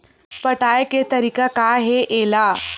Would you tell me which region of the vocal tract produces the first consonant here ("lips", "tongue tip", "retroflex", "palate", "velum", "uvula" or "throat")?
lips